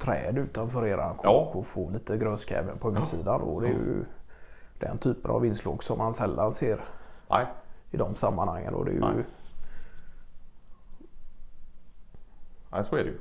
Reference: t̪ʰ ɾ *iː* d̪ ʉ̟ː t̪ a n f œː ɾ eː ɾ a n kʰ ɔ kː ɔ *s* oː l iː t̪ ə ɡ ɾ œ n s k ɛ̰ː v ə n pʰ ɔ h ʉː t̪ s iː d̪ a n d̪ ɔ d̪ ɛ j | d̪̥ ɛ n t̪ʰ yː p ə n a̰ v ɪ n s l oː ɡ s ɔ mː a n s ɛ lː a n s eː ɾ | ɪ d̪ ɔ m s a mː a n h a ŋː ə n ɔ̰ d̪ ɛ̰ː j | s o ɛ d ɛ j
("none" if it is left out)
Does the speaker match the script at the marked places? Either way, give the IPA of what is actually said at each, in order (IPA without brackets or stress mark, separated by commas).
ɛː, f